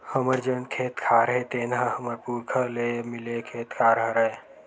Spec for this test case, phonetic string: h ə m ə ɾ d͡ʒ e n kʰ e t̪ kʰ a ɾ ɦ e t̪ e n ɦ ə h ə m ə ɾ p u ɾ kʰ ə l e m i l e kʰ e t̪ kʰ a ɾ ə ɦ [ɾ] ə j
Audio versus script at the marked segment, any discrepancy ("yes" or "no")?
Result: no